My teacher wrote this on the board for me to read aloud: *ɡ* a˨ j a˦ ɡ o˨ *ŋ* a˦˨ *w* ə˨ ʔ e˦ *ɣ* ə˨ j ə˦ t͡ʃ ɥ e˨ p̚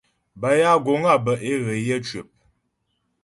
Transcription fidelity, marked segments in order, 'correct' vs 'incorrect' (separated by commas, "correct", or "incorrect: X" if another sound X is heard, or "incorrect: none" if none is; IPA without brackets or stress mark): incorrect: b, correct, incorrect: b, correct